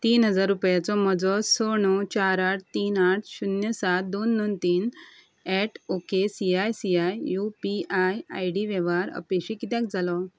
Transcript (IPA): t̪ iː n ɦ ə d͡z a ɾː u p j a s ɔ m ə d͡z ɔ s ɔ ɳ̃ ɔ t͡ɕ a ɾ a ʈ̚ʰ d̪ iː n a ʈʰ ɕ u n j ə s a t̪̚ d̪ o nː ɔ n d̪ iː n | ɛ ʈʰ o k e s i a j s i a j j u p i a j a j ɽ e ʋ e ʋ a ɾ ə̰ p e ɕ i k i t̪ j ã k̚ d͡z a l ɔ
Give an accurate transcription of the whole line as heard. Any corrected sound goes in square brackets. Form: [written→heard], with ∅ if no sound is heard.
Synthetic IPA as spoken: t̪ iː n ɦ ə d͡z a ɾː u p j a [s→t͡s] ɔ m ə d͡z ɔ s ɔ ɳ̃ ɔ t͡ɕ a ɾ a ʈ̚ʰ [d̪→t̪] iː n a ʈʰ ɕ u n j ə s a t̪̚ d̪ o nː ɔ n [d̪→t̪] iː n | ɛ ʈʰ o k e s i a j s i a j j u p i a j a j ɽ [e→i] ʋ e ʋ a ɾ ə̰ p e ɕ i k i t̪ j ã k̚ d͡z a l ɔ